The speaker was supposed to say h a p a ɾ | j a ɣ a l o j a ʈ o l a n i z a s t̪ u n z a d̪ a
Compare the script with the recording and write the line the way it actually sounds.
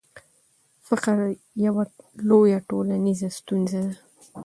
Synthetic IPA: f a q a ɾ | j a w a l o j a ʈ o l a n i z a s t̪ u n z a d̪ a